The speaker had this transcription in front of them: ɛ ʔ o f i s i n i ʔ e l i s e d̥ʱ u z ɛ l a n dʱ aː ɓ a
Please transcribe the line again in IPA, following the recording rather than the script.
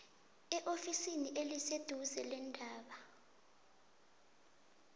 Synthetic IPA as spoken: ɛ ʔ o f i s i n i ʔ e l i s e d̥ʱ u z ɛ l ɛ n dʱ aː ɓ a

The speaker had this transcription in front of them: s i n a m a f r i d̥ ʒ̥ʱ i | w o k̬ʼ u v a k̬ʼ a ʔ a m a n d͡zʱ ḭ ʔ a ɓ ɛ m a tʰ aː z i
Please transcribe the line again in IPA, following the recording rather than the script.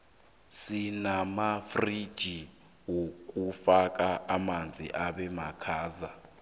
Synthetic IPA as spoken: s i n a m a f r i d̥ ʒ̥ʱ i | w o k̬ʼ u f a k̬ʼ a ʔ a m a n d͡zʱ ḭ ʔ a ɓ ɛ m a kʰ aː z a

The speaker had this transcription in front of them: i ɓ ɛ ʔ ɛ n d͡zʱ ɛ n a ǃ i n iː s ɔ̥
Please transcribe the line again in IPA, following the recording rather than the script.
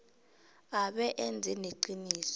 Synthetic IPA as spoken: a ɓ ɛ ʔ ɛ n d͡zʱ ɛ n e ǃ i n iː s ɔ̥

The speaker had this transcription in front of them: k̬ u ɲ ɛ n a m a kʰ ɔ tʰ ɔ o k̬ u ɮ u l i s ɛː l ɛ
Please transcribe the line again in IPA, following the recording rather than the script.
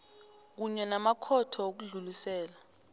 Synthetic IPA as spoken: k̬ u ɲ ɛ n a m a kʰ ɔ tʰ ɔ o k̬ u ɮ u l i s ɛː l a

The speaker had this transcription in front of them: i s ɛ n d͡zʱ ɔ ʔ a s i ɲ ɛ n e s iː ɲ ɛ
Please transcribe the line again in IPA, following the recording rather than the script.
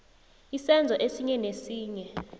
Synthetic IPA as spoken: i s ɛ n d͡zʱ ɔ ʔ e s i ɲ ɛ n e s iː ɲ ɛ

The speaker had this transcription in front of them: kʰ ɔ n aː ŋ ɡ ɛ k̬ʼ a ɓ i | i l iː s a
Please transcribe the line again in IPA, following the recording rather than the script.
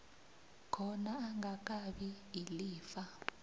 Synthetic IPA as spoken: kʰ ɔ n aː ŋ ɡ a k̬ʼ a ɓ i | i l iː f a

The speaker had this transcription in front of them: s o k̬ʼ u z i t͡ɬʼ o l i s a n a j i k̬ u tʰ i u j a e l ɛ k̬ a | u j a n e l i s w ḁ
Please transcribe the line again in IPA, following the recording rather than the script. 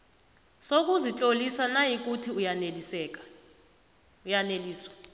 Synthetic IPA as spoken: s o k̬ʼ u z i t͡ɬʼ o l i s a n a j i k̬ u tʰ i u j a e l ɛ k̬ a | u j a n e l iː s w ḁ

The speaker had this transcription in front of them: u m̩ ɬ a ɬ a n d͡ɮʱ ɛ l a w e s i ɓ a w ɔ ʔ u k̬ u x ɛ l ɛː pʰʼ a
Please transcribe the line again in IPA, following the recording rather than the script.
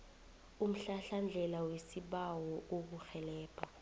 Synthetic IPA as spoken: u m̩ ɬ a ɬ a n d͡ɮʱ ɛ l a w e s i ɓ a w ɔ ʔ o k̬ u x ɛ l ɛː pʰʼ a

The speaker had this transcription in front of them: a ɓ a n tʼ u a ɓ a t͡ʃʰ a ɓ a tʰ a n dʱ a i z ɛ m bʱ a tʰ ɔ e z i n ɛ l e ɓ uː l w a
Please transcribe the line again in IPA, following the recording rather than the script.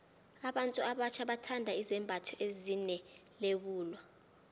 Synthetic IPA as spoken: a ɓ a n tʼ u a ɓ a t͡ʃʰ a ɓ a tʰ a n dʱ a i z ɛ m bʱ a tʰ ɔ e z i n ɛ l e ɓ uː l w a

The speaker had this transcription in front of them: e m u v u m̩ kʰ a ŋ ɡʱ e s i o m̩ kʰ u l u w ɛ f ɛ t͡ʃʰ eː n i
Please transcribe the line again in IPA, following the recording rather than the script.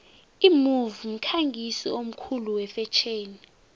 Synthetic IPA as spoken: i m u v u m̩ kʰ a ŋ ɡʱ i s i o m̩ kʰ u l u w ɛ f ɛ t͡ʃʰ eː n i

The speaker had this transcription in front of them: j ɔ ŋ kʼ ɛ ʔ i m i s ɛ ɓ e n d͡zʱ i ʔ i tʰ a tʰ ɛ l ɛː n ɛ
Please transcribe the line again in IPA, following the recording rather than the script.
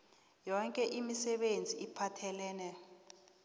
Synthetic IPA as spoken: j ɔ ŋ kʼ ɛ ʔ i m i s ɛ ɓ e n d͡zʱ i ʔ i pʰ a tʰ ɛ l ɛː n ɛ

